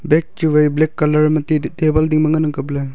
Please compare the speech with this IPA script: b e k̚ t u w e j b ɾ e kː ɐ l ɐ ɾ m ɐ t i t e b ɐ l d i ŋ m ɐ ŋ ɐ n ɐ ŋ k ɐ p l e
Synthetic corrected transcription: b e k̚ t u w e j b l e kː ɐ l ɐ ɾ m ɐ t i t e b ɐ l d i ŋ m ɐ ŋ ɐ n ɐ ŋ k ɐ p l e